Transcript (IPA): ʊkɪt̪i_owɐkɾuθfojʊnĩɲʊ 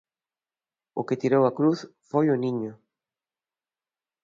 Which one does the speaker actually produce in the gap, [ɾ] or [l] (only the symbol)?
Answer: ɾ